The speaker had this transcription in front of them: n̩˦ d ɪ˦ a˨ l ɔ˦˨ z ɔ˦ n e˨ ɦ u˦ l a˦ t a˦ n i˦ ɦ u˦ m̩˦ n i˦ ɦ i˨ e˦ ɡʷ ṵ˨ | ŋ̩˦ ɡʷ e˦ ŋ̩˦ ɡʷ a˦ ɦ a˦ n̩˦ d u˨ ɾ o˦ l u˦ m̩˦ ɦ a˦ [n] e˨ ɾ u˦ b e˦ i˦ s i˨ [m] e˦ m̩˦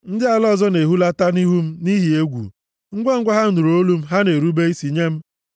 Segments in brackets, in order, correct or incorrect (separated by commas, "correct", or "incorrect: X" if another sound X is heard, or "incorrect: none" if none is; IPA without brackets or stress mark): correct, incorrect: ɲ